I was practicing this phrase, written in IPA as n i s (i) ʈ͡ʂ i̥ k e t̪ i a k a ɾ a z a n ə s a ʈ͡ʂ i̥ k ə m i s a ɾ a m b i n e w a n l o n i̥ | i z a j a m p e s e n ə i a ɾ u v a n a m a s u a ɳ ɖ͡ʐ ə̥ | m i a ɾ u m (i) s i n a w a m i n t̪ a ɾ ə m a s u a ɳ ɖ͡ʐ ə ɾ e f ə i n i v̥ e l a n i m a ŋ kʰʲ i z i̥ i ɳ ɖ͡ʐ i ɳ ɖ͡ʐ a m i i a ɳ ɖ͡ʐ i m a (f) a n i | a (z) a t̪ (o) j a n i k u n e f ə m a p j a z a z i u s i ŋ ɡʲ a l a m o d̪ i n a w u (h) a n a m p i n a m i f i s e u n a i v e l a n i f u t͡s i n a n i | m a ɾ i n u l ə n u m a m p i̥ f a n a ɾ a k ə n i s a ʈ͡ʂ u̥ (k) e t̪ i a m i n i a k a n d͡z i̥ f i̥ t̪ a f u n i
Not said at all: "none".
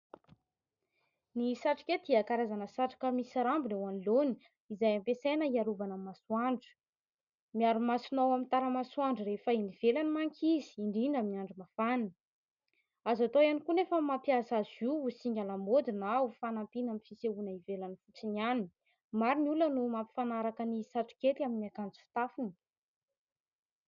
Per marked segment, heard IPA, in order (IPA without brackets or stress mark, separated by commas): a, a, f, z, o, f, k